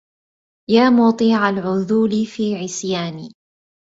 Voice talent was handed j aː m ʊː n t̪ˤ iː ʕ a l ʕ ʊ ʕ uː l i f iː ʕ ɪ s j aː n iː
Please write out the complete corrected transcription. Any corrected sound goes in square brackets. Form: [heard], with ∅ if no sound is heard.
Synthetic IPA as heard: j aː m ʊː [∅] t̪ˤ iː ʕ a l ʕ ʊ [ð] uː l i f iː ʕ ɪ s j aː n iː